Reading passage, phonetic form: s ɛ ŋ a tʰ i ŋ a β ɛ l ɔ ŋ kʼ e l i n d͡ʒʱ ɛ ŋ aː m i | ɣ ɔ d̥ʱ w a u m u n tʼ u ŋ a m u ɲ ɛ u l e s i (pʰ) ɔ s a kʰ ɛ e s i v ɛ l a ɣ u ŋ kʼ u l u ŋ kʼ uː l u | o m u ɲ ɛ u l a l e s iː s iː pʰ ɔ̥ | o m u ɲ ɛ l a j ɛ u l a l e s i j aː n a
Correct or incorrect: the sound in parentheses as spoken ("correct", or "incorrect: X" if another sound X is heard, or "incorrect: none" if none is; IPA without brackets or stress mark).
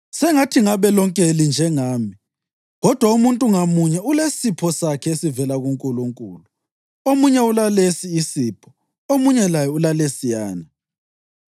correct